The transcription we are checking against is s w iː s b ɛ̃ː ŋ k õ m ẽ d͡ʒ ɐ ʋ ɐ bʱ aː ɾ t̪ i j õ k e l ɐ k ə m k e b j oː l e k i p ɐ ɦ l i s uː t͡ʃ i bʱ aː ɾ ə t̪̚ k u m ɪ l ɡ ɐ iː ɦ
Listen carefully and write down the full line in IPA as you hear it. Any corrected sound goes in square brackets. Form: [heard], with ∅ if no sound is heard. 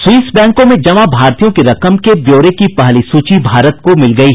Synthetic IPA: s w iː s b ɛ̃ː ŋ k õ m ẽ d͡ʒ ɐ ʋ [a] bʱ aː ɾ t̪ i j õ k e [ɾ] ɐ k ə m k e b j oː [ɾ] e k i p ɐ ɦ l i s uː t͡ʃ i bʱ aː ɾ ə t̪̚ k [o] m ɪ l ɡ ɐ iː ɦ